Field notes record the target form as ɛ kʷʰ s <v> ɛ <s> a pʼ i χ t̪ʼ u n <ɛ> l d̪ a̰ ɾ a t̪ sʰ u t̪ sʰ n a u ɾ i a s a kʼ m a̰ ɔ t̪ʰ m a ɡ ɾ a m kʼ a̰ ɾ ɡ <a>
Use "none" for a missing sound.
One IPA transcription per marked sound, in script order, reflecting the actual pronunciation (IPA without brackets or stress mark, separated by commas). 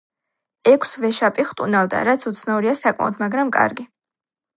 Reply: v, ʃ, a, i